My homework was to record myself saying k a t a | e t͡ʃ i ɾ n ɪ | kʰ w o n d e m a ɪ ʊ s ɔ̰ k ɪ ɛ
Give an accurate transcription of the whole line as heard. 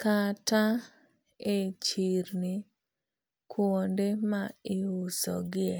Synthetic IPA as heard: k a t a | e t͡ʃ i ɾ n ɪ | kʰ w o n d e m a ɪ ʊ s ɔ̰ ɡ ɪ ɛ